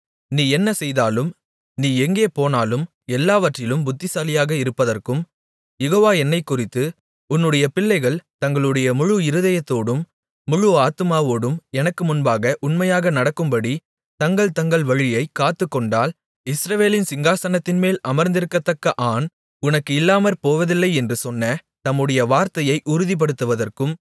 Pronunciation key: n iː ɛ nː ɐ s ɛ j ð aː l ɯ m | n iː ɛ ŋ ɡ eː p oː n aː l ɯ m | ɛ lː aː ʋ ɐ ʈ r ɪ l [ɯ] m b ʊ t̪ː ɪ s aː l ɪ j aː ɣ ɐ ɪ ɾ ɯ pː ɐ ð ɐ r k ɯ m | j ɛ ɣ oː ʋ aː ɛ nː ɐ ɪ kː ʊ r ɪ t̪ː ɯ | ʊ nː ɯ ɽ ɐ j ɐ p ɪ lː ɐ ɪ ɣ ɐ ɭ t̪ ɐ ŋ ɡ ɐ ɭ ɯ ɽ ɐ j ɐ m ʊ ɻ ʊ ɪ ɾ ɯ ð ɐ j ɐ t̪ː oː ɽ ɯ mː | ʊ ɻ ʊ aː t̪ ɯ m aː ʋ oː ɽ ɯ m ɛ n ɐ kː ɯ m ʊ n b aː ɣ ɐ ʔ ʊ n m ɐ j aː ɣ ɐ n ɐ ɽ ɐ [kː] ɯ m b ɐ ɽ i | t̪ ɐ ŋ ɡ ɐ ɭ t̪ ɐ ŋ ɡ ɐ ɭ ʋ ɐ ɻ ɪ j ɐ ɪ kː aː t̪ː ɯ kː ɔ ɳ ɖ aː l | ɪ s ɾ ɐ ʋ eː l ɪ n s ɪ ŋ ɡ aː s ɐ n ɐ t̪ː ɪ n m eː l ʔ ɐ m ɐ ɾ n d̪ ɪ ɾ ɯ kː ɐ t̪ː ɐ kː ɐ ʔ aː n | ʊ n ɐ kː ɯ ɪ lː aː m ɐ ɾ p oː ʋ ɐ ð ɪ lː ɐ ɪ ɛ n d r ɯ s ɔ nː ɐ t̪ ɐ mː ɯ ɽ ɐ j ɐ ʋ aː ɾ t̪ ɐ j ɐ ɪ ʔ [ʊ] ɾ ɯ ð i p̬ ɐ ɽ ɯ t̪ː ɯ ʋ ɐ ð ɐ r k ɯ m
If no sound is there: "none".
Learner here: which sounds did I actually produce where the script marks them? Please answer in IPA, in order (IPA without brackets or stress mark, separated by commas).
ɯ, kː, ʊ